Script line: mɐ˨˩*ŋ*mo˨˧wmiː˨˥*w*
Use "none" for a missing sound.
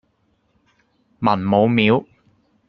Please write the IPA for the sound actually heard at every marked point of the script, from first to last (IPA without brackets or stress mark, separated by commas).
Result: n, w